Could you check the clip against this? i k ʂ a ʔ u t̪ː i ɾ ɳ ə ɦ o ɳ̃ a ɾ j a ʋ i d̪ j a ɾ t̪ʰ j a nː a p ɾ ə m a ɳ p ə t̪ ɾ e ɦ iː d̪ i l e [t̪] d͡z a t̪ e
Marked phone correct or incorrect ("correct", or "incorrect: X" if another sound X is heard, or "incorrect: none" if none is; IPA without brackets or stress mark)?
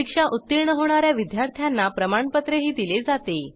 incorrect: none